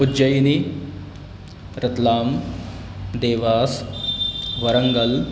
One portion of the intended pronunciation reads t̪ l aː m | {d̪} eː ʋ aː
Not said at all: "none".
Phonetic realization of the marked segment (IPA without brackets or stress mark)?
d̪